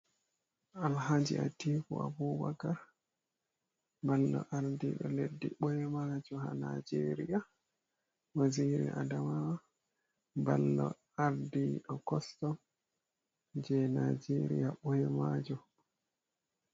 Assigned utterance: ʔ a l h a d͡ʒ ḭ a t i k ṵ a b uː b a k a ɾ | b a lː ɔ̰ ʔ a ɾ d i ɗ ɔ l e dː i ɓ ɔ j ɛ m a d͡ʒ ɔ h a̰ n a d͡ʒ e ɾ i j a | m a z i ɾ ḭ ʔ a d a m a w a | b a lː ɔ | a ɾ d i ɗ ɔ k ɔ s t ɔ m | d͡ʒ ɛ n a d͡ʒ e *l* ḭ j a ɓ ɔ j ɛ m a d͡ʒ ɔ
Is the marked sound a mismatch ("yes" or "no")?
yes